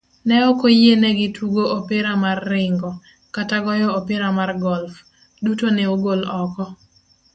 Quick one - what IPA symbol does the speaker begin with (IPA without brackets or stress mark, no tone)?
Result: n